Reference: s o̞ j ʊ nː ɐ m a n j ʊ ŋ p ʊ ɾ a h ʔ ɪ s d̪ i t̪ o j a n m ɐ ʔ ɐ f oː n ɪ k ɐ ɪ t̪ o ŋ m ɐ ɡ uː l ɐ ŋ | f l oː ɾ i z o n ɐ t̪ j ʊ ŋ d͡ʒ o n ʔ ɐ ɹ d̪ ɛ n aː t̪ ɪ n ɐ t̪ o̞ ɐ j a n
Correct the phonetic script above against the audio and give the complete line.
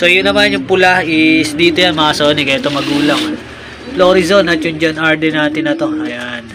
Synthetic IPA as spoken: s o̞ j ʊ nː ɐ m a n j ʊ ŋ p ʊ l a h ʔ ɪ s d̪ iː t̪ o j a n m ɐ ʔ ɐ s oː n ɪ k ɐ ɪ t̪ o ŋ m ɐ ɡ uː l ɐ ŋ | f l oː ɾ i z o n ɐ t̪ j ʊ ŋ d͡ʒ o n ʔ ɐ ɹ d̪ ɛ n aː t̪ ɪ n ɐ t̪ o̞ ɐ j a n